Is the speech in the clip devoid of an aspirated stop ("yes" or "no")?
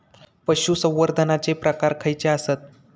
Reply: no